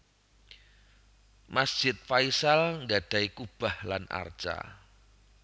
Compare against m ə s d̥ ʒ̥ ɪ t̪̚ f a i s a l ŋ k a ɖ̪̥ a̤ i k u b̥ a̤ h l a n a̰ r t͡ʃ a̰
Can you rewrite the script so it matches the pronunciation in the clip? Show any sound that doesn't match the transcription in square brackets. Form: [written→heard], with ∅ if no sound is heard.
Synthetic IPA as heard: m [ə→a] s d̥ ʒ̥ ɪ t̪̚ f a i s a l ŋ [k→ɡ] a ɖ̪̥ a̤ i k u b̥ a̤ h l a n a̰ r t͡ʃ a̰

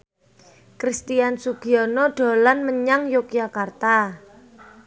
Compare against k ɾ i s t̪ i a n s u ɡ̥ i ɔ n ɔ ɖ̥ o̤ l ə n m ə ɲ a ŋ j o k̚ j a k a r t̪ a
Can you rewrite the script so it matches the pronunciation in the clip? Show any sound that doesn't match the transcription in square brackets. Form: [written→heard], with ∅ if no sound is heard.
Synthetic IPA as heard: k ɾ i s t̪ i a n s u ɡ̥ i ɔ n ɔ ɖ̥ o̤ l [ə→a] n m ə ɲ a ŋ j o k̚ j a k a r t̪ a

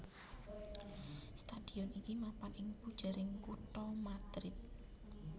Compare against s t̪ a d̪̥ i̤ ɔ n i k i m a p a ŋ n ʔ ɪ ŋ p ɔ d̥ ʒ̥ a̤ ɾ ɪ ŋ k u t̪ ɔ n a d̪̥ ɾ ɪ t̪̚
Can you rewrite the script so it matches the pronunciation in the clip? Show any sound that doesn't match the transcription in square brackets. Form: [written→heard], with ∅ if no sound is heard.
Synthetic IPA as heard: s t̪ a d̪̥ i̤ ɔ n i k i m a p a [ŋ→∅] n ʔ ɪ ŋ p [ɔ→u] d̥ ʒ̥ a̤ ɾ ɪ ŋ k u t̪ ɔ [n→m] a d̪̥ ɾ ɪ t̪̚

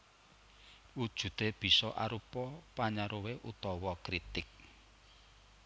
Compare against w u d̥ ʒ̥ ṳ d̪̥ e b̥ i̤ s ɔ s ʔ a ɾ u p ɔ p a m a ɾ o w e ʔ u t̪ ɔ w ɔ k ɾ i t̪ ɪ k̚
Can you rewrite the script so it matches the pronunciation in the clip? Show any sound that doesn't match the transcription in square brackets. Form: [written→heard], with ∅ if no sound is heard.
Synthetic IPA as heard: w u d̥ ʒ̥ ṳ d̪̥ e b̥ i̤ s ɔ [s→∅] ʔ a ɾ u p ɔ p a [m→ɲ] a ɾ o w e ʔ u t̪ ɔ w ɔ k ɾ i t̪ ɪ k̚

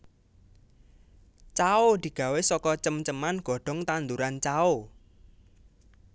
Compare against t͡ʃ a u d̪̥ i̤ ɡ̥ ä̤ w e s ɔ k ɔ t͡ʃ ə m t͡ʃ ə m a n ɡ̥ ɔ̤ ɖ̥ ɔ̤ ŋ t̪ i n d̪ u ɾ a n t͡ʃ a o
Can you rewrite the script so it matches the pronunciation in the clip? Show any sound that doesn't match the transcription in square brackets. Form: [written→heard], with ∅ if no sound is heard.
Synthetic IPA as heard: t͡ʃ a [u→o] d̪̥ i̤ ɡ̥ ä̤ w e s ɔ k ɔ t͡ʃ ə m t͡ʃ ə m a n ɡ̥ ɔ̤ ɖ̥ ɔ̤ ŋ t̪ [i→a] n d̪ u ɾ a n t͡ʃ a o

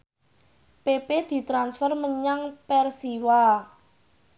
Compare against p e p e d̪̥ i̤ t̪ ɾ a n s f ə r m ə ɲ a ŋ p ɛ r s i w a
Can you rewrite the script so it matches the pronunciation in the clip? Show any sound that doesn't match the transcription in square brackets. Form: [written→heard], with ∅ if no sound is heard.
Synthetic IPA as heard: p e p e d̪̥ i̤ t̪ ɾ a n s f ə r m ə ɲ a ŋ p ɛ r s i w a

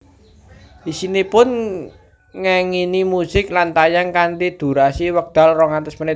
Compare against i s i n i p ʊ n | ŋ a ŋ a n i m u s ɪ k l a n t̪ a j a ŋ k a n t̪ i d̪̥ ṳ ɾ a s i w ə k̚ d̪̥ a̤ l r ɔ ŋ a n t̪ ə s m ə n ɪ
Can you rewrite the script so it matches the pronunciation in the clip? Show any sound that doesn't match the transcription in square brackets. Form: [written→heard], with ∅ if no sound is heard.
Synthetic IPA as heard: i s i n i p ʊ n | ŋ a ŋ [a→i] n i m u s ɪ k l a n t̪ a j a ŋ k a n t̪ i d̪̥ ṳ ɾ a s i w ə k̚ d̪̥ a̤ l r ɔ ŋ a n t̪ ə s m ə n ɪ

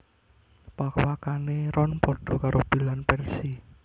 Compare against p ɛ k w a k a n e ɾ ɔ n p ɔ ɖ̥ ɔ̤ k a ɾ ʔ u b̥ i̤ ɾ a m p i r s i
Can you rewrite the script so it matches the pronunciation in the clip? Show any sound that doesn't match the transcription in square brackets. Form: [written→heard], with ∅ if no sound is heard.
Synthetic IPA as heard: p [ɛ→a] k w a k a n e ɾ ɔ n p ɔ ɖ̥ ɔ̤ k a ɾ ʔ [u→o] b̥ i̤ [ɾ→l] a [m→n] p [i→ɛ] r s i

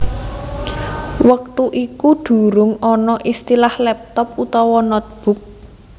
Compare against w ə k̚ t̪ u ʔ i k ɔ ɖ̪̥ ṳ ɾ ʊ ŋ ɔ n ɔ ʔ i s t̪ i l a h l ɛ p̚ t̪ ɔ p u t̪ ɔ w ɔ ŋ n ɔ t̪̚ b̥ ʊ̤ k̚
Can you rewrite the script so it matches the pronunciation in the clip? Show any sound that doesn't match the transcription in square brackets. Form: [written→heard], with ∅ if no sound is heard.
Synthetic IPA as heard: w ə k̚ t̪ u ʔ i k [ɔ→u] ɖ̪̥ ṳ ɾ ʊ ŋ ɔ n ɔ ʔ i s t̪ i l a h l ɛ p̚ t̪ ɔ p u t̪ ɔ w ɔ [ŋ→∅] n ɔ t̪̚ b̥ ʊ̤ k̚

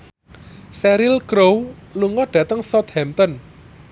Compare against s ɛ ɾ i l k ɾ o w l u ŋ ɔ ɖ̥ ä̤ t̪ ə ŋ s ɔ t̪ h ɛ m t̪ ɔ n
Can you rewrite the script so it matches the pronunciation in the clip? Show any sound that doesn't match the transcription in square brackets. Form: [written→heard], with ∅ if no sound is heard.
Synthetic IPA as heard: s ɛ ɾ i l k ɾ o w l u ŋ ɔ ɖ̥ ä̤ t̪ ə ŋ s ɔ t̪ h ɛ m t̪ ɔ n

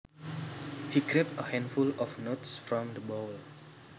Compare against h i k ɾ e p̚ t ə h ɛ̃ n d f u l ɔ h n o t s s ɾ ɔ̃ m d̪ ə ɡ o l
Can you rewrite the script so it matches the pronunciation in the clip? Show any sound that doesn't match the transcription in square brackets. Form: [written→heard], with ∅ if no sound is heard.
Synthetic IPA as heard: h i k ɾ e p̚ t ə h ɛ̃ n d f u l ɔ [h→f] n o t s [s→f] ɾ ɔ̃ m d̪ ə [ɡ→b] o l

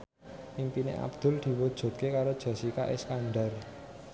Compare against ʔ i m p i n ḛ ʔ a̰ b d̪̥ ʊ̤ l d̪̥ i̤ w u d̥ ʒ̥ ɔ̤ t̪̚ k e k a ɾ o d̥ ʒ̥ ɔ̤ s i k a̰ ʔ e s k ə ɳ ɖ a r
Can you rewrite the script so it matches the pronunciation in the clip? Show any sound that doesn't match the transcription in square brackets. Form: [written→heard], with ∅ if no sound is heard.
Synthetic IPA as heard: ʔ i m p i n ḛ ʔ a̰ b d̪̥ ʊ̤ l d̪̥ i̤ w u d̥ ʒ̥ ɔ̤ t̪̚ k e k a ɾ o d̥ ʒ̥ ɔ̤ s i k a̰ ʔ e s k [ə→a] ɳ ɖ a r

